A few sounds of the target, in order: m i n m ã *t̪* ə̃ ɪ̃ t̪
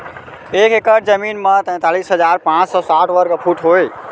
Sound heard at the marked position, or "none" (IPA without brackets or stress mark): t̪